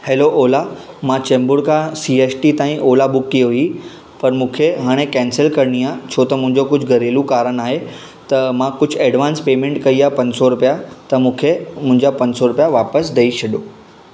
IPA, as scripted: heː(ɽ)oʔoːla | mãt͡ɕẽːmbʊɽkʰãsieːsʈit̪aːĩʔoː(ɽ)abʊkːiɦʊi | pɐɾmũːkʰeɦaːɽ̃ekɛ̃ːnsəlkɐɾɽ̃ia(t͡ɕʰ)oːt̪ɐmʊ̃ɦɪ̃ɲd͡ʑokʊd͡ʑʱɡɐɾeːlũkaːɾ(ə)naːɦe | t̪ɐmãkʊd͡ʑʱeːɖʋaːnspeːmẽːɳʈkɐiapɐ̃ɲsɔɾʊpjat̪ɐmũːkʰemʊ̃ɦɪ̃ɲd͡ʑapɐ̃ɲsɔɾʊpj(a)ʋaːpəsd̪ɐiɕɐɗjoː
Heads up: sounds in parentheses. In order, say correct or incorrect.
incorrect: l, incorrect: l, correct, correct, correct

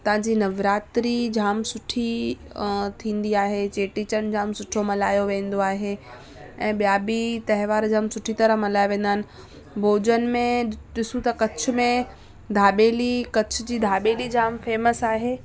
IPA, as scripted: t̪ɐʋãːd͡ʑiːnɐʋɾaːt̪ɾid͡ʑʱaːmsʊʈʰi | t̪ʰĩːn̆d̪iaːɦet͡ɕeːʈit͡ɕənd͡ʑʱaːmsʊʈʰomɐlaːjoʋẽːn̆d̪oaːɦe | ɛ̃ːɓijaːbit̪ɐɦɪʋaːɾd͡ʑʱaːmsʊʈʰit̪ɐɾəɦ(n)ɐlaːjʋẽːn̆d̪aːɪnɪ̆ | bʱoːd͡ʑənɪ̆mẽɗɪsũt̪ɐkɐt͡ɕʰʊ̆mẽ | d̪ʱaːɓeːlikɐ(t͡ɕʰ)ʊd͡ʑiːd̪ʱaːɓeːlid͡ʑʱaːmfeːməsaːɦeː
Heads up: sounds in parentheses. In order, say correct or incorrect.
incorrect: m, correct

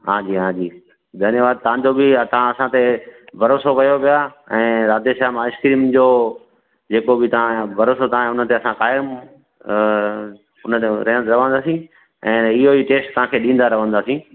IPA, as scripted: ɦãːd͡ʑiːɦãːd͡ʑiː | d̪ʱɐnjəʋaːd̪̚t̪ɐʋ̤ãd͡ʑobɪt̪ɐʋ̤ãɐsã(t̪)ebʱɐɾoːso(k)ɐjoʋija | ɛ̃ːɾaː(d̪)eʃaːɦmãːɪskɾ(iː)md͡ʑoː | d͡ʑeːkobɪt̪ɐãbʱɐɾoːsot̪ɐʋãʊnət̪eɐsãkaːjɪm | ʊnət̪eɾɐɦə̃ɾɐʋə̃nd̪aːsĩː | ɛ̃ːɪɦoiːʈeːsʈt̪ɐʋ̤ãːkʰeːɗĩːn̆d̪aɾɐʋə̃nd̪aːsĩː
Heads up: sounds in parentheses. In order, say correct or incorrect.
correct, correct, correct, correct

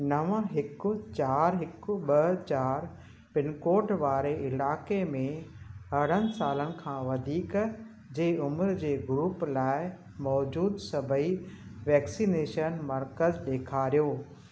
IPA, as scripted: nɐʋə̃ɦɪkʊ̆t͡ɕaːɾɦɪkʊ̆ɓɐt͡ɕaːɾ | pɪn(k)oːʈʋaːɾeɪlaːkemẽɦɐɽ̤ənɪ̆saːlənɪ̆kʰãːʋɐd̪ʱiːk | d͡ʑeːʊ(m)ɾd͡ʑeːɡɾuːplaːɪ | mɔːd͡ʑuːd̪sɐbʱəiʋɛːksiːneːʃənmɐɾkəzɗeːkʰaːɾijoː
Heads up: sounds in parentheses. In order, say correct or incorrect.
correct, correct

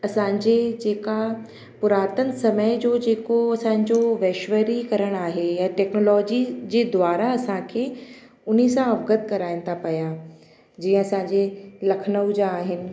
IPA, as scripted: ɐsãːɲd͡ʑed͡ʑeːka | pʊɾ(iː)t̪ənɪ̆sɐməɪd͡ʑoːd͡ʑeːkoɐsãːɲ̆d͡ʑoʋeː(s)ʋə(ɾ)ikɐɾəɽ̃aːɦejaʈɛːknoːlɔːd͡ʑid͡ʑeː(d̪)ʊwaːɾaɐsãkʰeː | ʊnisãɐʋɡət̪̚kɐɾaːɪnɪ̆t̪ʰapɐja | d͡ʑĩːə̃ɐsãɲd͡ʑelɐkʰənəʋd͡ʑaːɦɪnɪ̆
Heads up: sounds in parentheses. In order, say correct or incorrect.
incorrect: aː, incorrect: ʃ, correct, correct

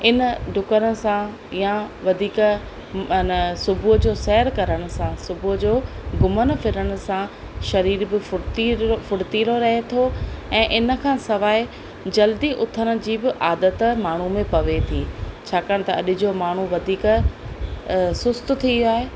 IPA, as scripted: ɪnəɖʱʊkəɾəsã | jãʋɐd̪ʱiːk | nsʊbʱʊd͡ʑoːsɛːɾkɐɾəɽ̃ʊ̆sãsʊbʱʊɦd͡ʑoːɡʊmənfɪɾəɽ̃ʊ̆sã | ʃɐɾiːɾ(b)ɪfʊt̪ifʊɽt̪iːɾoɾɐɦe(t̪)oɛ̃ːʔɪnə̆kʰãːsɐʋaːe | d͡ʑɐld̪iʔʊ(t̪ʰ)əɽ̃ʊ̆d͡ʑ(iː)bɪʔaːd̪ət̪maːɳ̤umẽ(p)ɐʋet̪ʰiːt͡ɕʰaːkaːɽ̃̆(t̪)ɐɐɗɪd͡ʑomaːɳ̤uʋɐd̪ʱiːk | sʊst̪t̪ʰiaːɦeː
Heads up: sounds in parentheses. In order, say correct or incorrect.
correct, incorrect: t̪ʰ, correct, correct, correct, correct

